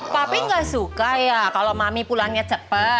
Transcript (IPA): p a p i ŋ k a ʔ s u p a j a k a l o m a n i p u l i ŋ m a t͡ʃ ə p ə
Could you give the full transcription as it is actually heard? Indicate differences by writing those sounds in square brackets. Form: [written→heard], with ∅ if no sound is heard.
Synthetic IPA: p a p i ŋ [k→ɡ] a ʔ s u [p→k] a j a k a l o m a [n→m] i p u l [i→a] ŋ [m→ɲ] a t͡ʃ ə p ə